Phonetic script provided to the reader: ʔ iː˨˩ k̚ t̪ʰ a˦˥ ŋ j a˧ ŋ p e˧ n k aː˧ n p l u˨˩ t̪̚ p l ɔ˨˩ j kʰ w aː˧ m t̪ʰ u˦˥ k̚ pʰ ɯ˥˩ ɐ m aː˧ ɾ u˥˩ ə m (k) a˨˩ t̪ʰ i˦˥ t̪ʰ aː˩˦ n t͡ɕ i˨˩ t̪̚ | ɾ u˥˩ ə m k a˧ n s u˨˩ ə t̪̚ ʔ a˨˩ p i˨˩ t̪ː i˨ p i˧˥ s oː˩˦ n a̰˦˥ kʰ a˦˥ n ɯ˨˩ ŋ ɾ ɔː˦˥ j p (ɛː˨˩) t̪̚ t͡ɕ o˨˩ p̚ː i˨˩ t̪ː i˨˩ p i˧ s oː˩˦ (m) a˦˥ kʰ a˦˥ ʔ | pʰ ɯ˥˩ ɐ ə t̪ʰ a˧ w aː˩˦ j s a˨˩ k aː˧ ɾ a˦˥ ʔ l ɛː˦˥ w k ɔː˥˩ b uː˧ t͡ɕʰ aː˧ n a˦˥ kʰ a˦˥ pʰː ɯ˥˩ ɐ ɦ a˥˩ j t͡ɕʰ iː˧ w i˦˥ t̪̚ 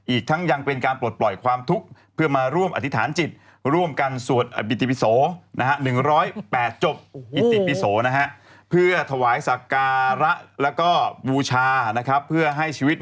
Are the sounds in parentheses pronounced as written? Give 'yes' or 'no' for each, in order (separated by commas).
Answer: no, yes, no